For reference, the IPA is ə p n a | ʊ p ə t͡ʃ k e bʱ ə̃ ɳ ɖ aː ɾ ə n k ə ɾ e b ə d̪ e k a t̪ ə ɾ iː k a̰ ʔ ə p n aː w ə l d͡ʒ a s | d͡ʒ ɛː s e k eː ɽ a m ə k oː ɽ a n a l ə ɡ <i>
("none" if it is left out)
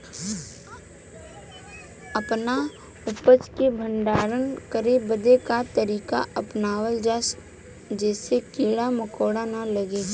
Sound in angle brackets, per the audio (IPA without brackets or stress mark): e